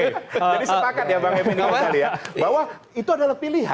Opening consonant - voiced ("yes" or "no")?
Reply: yes